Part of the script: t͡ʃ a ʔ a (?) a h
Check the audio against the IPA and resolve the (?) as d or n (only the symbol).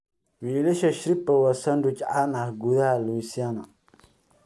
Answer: n